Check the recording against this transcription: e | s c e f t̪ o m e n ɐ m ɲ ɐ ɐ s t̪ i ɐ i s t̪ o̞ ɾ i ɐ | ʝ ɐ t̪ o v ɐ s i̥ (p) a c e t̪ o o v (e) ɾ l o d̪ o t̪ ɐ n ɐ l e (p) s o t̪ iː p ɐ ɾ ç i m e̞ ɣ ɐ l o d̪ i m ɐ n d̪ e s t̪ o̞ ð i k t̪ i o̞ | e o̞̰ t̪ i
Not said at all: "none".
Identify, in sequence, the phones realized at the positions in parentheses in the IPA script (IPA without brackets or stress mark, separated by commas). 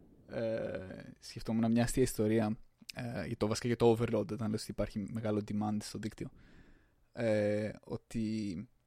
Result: k, e, none